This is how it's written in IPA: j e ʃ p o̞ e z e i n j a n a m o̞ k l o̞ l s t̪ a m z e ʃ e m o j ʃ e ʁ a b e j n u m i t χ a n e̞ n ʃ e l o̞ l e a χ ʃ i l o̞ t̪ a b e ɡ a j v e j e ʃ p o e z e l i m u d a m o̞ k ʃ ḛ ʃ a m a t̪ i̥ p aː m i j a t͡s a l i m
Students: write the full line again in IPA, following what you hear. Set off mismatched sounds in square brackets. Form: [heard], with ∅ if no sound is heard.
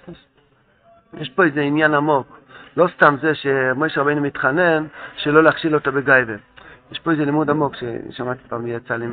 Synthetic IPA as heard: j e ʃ p o̞ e z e i n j a n a m o̞ k l o̞ [∅] s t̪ a m z e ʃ e m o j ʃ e ʁ a b e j n u m i t χ a n e̞ n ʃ e l o̞ l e a χ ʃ i l o̞ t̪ a b e ɡ a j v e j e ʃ p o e z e l i m u d a m o̞ k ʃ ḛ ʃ a m a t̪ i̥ p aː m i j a t͡s a l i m